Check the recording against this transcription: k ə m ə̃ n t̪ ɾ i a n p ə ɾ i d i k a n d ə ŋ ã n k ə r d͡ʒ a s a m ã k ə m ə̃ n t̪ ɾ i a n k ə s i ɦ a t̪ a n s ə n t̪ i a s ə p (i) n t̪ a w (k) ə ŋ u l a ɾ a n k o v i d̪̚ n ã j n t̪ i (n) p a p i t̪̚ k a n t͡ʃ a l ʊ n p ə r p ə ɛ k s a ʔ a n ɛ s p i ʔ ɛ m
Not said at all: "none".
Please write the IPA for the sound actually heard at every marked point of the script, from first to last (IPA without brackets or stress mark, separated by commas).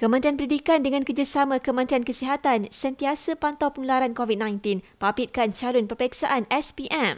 a, p, n